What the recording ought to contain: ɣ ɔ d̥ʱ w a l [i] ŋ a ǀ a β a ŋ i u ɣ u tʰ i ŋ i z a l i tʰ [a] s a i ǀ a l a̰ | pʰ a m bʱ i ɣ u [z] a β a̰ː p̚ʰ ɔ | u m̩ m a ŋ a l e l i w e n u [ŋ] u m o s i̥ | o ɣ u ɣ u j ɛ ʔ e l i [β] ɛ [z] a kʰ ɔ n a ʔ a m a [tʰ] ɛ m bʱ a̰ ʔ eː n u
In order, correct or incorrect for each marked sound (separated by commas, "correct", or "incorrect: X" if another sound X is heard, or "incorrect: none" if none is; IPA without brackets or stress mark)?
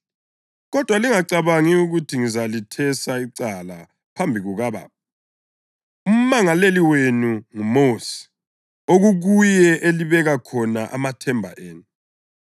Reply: correct, incorrect: ɛ, incorrect: ɣ, correct, correct, incorrect: ɣ, correct